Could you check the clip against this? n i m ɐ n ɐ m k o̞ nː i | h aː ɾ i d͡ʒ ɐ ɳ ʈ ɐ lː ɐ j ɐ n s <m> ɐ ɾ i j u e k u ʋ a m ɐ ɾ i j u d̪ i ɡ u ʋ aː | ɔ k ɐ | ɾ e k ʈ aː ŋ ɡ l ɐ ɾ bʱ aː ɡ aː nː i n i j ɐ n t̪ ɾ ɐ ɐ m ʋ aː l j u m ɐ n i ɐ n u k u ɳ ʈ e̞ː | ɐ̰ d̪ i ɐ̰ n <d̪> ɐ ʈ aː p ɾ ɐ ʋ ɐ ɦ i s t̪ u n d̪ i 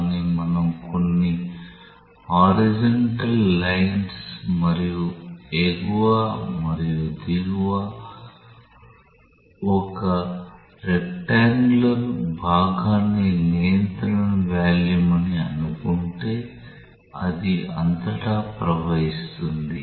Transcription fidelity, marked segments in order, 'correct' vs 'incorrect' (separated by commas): correct, incorrect